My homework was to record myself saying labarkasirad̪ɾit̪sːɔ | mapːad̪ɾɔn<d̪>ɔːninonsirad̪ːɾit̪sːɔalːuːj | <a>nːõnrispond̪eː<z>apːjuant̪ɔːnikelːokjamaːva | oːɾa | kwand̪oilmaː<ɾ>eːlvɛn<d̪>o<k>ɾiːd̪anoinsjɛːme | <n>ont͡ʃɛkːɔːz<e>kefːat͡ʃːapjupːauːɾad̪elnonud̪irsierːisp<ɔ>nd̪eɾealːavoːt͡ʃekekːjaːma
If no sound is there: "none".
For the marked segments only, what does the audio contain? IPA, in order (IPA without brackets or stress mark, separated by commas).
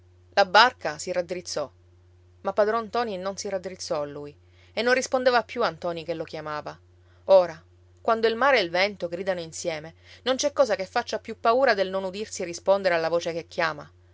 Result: t̪, e, v, ɾ, t̪, ɡ, n, a, o